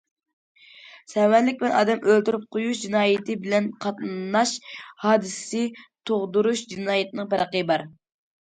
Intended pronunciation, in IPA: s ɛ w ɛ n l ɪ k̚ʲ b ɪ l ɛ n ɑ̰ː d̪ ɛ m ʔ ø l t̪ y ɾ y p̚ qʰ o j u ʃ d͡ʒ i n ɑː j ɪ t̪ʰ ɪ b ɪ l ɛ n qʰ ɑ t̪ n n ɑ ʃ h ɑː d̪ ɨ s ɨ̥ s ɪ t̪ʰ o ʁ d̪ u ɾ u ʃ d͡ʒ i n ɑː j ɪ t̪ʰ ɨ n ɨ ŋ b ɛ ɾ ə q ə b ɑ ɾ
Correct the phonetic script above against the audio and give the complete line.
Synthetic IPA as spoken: s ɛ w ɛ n l ɪ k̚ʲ b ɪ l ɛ n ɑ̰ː d̪ ɛ m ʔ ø l t̪ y ɾ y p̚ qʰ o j u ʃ d͡ʒ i n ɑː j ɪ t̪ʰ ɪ b ɪ l ɛ n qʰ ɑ t̪ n n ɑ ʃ h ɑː d̪ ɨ s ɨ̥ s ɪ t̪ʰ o ʁ d̪ u ɾ u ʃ d͡ʒ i n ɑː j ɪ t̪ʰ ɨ n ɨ ŋ p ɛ ɾ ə q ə b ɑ ɾ